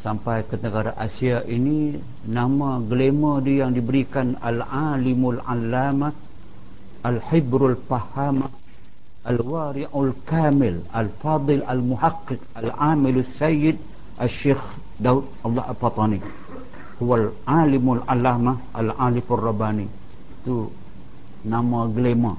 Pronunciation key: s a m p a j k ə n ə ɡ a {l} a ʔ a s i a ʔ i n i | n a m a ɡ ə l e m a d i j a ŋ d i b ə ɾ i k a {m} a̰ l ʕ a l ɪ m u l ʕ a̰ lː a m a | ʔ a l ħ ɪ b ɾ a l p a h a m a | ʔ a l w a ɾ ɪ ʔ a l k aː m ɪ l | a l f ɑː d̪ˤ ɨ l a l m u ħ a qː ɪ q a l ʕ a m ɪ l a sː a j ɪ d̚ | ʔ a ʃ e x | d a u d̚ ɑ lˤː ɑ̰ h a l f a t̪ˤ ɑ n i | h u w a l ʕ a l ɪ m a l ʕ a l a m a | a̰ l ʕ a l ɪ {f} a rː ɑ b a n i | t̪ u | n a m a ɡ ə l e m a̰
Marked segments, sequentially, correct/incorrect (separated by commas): incorrect, incorrect, correct